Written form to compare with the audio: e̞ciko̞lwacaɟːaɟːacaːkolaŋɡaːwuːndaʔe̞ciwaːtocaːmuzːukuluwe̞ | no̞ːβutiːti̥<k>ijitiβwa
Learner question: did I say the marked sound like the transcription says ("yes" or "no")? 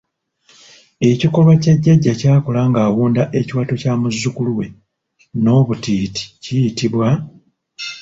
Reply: no